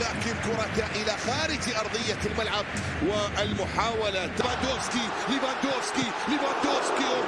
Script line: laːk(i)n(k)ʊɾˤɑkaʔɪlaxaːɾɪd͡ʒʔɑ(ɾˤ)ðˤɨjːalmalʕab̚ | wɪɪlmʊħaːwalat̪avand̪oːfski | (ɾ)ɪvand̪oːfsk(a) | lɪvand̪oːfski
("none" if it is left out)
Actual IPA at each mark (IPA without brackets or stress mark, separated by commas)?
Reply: ɪ, k, ɾˤ, l, i